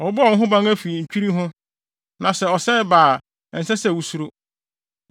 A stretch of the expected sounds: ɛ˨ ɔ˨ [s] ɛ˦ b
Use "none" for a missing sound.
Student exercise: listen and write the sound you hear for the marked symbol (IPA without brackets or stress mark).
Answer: s